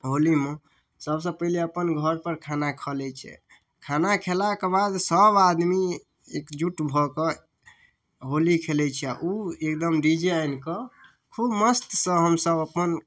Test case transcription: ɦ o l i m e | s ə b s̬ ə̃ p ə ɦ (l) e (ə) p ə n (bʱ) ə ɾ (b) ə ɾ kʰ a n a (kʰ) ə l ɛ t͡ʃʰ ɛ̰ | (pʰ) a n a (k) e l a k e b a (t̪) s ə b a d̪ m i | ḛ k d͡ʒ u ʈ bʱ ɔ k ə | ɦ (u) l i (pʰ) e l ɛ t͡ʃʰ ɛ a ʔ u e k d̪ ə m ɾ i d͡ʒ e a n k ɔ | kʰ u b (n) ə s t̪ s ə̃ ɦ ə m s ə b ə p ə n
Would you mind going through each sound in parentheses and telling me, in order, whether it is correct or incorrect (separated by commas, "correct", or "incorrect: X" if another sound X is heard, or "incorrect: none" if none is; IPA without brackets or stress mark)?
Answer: correct, correct, incorrect: ɡʱ, incorrect: p, correct, incorrect: kʰ, incorrect: kʰ, incorrect: d̪, incorrect: o, incorrect: kʰ, incorrect: m